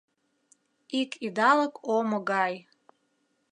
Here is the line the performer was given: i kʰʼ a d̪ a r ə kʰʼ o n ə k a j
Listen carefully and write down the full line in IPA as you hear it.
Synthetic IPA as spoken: i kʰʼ i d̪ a l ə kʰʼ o m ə ɡ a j